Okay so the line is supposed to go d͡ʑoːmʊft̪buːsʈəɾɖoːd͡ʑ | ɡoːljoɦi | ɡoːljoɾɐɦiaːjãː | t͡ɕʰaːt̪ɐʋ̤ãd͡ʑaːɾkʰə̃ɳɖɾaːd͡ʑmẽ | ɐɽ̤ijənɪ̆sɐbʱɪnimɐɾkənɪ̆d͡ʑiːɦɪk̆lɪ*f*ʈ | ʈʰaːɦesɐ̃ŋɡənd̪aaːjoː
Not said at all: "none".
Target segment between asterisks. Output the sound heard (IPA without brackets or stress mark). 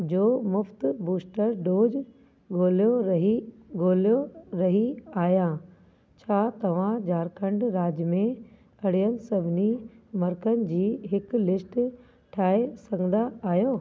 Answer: s